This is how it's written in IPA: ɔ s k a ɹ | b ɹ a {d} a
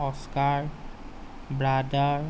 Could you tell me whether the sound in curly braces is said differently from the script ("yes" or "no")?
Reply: no